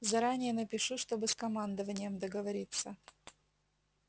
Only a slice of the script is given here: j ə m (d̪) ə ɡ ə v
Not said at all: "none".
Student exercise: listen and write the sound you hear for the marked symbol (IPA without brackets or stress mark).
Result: d̪